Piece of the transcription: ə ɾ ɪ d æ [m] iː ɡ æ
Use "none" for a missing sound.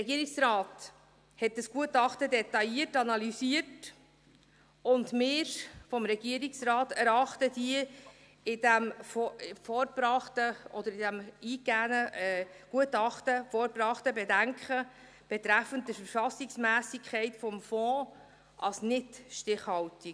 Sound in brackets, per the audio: m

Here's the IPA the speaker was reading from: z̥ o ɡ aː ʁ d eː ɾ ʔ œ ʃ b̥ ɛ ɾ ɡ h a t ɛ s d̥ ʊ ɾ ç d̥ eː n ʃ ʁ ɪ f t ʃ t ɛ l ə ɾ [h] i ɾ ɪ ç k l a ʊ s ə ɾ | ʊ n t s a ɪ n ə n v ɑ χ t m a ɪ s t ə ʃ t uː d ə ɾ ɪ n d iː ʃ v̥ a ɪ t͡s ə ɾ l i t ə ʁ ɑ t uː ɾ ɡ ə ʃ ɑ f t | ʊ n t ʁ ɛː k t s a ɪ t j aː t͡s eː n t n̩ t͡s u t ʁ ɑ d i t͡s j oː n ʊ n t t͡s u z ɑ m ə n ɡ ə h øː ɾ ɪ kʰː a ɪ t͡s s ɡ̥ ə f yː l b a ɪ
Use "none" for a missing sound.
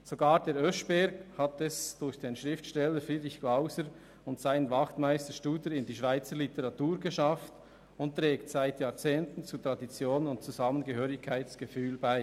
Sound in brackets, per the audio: f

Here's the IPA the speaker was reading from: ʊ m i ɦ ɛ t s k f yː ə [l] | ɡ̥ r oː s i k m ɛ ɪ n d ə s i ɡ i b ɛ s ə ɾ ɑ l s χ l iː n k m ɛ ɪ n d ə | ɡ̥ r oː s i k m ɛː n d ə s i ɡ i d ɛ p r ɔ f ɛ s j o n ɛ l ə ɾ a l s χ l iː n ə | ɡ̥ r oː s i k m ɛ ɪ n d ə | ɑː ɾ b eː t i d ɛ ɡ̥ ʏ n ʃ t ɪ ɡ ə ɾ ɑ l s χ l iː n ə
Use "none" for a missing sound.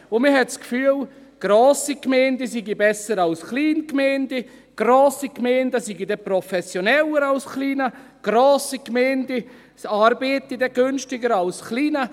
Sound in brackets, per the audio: l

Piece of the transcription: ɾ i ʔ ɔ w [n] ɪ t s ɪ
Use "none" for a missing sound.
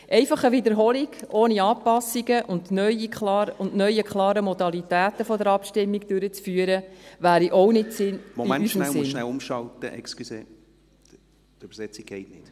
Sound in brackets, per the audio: n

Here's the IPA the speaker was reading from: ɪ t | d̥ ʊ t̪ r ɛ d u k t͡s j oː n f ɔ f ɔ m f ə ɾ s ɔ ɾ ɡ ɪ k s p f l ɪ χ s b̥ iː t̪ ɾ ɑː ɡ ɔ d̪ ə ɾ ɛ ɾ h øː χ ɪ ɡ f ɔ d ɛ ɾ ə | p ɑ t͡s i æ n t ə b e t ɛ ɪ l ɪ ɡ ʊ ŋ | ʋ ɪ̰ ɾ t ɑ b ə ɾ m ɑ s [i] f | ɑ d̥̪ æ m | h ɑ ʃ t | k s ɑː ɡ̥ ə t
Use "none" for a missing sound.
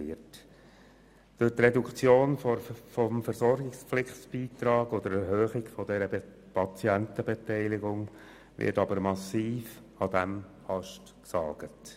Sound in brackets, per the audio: iː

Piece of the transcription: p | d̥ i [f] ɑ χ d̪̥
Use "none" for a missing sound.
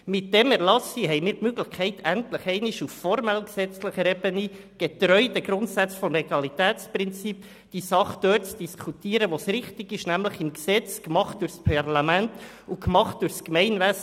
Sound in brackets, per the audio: s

